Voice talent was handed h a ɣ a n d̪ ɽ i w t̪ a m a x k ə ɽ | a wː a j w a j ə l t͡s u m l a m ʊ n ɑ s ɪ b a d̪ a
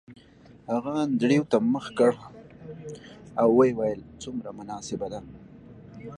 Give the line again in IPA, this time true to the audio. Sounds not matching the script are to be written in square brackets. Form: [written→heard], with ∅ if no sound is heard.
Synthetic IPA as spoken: h a ɣ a n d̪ ɽ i w t̪ a m [a→ə] x k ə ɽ | a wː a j w a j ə l t͡s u m [l→ɾ] a m ʊ n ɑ s ɪ b a d̪ a